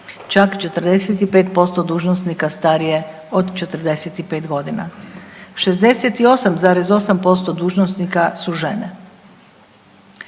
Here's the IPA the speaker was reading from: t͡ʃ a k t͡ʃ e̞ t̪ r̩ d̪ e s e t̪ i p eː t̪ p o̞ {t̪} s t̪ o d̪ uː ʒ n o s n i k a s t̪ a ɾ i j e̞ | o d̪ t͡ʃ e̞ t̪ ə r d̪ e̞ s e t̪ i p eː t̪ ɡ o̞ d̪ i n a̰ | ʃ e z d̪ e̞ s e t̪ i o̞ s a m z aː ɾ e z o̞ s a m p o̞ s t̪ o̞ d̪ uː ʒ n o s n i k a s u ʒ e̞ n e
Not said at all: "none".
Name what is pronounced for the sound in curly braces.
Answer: none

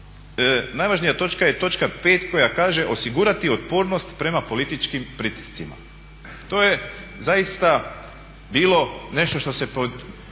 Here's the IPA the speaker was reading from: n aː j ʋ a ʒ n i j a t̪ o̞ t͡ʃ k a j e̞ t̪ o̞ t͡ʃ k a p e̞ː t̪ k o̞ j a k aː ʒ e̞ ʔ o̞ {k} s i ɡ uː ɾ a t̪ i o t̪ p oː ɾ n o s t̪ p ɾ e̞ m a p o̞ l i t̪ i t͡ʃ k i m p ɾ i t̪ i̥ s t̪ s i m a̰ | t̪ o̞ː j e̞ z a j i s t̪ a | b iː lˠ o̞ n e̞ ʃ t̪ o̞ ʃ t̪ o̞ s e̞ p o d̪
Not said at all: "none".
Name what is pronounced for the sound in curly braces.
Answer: none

